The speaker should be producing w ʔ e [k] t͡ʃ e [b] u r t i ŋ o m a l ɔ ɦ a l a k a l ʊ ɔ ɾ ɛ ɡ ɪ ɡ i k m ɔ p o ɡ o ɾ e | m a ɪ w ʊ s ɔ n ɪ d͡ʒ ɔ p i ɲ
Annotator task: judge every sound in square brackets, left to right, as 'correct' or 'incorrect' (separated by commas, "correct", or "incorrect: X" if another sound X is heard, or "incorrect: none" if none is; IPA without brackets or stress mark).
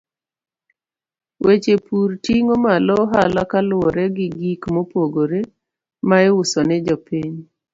incorrect: none, incorrect: p